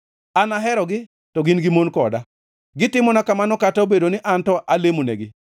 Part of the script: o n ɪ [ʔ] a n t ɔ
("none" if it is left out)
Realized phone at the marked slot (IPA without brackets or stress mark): ʔ